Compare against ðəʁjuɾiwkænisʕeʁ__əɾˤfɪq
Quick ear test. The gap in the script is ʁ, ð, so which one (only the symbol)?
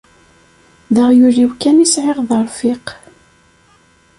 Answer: ð